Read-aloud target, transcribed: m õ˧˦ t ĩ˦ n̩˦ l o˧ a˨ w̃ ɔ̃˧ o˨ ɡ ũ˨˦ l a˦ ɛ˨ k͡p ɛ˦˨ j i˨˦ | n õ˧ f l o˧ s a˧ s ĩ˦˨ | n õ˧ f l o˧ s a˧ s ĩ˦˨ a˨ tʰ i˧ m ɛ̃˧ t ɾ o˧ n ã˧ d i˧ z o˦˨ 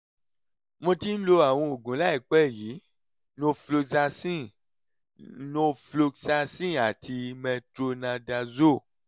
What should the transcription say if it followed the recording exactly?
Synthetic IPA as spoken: m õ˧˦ t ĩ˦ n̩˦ l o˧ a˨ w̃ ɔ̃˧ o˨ ɡ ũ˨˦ l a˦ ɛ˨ k͡p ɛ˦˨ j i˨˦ | n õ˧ f l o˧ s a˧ s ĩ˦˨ | n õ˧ f l o˧ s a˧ s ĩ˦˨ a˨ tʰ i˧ m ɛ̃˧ t ɾ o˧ n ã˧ d a˧ z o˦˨

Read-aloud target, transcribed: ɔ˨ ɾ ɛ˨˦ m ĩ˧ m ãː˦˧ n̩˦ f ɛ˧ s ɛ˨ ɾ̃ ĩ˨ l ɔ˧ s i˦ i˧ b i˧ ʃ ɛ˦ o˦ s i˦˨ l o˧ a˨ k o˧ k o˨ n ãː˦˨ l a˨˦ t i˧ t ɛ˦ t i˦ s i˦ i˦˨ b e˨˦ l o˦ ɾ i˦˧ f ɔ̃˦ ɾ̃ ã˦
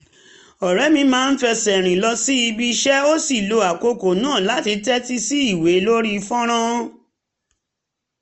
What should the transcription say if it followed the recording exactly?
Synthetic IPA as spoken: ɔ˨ ɾ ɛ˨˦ m ĩ˧ m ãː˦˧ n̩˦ f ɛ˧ s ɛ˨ ɾ̃ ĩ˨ l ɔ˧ s i˦ i˧ b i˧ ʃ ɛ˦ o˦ s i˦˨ l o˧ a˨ k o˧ k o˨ n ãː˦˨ l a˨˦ t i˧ t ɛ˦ t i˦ s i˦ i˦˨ w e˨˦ l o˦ ɾ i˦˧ f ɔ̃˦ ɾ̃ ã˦

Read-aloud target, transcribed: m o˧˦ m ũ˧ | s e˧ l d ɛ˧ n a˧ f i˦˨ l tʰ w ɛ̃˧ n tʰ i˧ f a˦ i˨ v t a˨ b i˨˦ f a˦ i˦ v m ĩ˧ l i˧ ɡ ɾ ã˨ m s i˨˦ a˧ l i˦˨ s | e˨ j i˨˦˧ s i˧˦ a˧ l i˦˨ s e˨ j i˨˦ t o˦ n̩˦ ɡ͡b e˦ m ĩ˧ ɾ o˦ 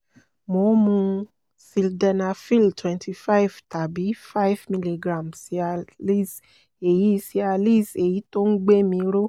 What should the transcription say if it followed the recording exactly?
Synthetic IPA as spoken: m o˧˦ m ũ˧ | s i˧ l d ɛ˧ n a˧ f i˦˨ l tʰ w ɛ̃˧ n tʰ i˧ f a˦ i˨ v t a˨ b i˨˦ f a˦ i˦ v m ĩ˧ l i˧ ɡ ɾ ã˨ m s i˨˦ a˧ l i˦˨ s | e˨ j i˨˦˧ s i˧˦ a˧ l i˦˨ s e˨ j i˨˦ t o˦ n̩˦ ɡ͡b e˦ m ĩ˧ ɾ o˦

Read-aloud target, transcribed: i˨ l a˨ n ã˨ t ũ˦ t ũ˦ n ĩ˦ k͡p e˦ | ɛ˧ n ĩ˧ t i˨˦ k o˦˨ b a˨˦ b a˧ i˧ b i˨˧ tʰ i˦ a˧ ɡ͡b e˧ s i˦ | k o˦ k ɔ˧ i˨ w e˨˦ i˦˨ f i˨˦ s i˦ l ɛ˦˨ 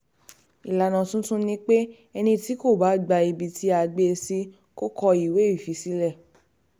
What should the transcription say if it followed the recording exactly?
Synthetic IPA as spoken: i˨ l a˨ n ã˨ t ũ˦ t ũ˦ n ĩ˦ k͡p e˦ | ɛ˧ n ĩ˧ t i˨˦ k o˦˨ b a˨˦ ɡ͡b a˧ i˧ b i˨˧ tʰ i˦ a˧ ɡ͡b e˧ s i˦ | k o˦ k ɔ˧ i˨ w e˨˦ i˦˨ f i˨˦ s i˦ l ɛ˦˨

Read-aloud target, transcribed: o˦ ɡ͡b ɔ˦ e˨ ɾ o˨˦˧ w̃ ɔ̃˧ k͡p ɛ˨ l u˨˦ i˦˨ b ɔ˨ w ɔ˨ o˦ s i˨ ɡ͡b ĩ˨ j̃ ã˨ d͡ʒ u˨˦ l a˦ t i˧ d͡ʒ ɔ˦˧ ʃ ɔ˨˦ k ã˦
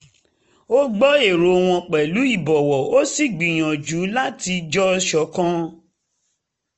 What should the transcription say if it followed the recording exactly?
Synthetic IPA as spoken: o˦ ɡ͡b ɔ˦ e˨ ɾ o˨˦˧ w̃ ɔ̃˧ k͡p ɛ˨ l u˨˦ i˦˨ b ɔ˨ w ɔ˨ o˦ s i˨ ɡ͡b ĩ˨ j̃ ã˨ d͡ʒ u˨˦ l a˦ t i˧ d͡ʒ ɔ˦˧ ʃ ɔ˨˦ k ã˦

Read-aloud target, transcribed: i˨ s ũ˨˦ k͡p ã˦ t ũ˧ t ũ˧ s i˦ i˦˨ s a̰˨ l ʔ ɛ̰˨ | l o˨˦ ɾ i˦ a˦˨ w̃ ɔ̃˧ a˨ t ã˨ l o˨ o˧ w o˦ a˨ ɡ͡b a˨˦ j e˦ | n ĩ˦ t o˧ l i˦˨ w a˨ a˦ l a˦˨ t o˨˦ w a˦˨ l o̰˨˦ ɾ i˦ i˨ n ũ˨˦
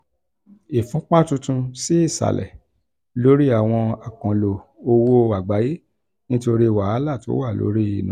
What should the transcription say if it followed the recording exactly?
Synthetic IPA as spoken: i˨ f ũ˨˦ k͡p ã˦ t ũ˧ t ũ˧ s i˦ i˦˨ s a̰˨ l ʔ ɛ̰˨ | l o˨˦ ɾ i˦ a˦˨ w̃ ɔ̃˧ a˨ k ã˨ l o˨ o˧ w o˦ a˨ ɡ͡b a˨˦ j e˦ | n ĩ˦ t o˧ ɾ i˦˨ w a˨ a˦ l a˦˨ t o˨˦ w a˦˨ l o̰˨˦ ɾ i˦ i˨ n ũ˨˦

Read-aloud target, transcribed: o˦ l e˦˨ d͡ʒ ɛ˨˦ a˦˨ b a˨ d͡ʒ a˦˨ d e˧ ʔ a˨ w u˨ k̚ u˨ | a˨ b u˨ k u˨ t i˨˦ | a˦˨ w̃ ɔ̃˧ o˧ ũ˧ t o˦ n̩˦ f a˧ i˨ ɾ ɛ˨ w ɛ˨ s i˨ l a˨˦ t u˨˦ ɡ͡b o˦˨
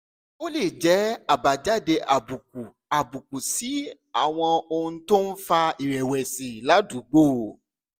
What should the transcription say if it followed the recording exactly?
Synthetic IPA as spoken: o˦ l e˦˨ d͡ʒ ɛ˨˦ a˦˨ b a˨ d͡ʒ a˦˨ d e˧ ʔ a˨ b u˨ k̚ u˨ | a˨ b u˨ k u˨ s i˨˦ | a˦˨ w̃ ɔ̃˧ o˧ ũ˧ t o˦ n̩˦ f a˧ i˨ ɾ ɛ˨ w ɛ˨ s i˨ l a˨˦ d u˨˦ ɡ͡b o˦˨

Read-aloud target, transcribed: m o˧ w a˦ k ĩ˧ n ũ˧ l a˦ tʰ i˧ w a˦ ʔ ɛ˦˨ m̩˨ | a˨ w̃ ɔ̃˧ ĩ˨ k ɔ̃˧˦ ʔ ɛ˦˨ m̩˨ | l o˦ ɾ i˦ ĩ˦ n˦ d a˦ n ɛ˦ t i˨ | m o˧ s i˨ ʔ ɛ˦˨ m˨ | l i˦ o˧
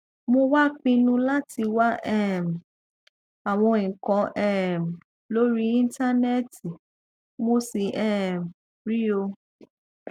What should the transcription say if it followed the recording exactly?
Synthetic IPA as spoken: m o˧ w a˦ k͡p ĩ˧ n ũ˧ l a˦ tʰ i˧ w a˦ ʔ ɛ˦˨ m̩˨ | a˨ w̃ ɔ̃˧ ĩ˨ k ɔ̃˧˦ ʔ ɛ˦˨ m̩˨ | l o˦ ɾ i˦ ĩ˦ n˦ t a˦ n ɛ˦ t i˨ | m o˧ s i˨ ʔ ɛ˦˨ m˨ | ɾ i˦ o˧

